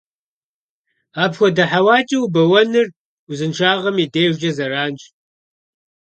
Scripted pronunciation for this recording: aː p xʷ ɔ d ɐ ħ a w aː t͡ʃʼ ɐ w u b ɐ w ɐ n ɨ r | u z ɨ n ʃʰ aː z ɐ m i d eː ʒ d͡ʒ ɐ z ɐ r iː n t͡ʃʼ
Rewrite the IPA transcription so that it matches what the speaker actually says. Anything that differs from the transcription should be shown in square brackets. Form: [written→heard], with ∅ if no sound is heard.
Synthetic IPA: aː p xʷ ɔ d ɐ ħ a w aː t͡ʃʼ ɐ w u b ɐ w ɐ n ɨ r | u z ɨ n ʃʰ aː [z→ʁ] ɐ m i d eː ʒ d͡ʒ ɐ z ɐ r [iː→aː] n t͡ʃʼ